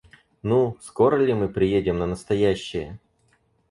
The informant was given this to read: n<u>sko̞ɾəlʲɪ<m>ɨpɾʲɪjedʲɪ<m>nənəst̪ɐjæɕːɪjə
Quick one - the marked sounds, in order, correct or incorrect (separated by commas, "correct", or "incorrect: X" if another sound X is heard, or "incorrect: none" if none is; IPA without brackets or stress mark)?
correct, correct, correct